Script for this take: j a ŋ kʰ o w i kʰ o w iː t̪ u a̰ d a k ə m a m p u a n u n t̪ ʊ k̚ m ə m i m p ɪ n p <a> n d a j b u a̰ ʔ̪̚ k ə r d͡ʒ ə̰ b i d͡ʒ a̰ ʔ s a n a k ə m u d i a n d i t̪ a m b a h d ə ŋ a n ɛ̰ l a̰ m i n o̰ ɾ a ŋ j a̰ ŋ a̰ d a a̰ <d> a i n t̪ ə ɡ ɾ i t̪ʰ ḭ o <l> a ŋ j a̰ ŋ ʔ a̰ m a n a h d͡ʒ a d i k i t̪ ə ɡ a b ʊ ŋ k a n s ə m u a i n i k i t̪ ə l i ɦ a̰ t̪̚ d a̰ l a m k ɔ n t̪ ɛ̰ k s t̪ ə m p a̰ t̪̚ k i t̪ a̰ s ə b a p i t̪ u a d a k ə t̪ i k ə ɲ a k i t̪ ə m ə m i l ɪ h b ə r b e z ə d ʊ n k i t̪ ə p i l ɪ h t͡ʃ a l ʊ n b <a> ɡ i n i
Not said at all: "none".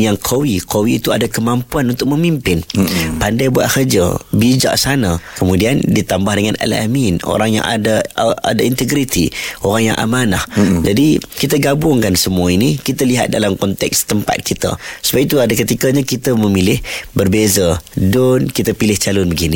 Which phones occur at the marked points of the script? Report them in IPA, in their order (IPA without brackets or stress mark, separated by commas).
a, d, ɾ, ə